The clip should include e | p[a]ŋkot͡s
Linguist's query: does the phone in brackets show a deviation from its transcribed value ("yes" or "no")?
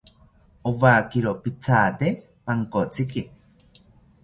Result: no